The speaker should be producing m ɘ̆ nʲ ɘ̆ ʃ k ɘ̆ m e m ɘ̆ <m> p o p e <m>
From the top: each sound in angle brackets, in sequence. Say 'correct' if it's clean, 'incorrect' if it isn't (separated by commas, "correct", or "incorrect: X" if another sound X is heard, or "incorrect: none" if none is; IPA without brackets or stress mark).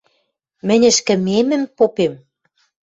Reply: correct, correct